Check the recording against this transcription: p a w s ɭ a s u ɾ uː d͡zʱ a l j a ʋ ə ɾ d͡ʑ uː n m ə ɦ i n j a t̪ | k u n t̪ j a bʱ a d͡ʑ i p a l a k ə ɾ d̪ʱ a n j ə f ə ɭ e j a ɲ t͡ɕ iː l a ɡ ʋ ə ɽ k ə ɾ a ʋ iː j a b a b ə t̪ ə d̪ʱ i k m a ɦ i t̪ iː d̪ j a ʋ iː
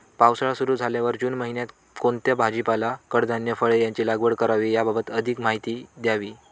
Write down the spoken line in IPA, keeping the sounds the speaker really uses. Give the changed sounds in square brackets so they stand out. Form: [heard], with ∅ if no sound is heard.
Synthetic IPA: p a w s ɭ a s u ɾ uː d͡zʱ a l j a ʋ ə ɾ d͡ʑ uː n m ə ɦ i n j a t̪ | k [o] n t̪ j a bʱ a d͡ʑ i p a l a k ə [ɽ] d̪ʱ a n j ə f ə ɭ e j a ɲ t͡ɕ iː l a ɡ ʋ ə ɽ k ə ɾ a ʋ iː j a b a b ə t̪ ə d̪ʱ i k m a ɦ i t̪ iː d̪ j a ʋ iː